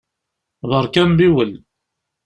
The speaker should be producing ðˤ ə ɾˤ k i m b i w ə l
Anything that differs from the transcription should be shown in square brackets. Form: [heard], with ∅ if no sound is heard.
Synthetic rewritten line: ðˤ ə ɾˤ k [æ] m b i w ə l